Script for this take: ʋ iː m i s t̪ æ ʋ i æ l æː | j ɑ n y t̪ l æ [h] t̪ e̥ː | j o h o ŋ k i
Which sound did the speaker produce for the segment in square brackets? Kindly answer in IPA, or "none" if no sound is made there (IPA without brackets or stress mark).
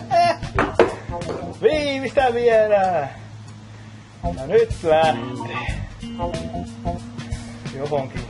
h